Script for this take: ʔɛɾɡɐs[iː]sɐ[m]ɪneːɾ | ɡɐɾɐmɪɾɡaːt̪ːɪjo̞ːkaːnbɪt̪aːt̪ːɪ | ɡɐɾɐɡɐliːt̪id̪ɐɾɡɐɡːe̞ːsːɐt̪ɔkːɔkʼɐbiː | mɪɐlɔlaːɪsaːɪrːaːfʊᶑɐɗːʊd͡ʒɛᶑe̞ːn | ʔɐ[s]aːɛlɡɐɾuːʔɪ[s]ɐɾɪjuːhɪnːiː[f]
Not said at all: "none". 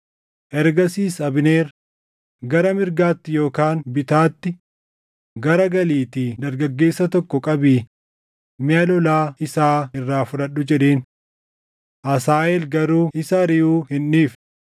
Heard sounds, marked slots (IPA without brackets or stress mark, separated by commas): iː, b, s, s, f